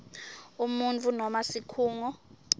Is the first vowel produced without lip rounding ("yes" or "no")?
no